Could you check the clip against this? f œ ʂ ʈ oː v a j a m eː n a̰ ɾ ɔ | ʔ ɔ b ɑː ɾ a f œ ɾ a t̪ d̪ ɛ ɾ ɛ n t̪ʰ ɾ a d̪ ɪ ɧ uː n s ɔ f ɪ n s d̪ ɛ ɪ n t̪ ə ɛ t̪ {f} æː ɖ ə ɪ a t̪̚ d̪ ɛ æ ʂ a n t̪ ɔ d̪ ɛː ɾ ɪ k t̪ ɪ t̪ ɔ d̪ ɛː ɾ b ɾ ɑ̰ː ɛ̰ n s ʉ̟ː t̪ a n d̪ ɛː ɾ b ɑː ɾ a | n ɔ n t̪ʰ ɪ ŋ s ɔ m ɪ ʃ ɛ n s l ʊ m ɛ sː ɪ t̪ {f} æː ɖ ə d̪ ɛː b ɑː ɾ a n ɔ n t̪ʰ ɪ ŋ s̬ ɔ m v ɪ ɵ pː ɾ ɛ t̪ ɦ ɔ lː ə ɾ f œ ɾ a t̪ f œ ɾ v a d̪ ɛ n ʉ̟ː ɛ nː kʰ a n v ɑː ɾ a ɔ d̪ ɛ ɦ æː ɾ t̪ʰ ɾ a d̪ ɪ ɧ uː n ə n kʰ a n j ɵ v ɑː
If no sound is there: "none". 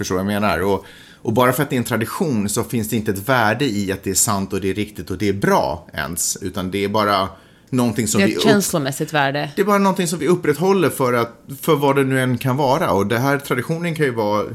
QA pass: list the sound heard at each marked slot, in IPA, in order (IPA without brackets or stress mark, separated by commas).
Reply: v, v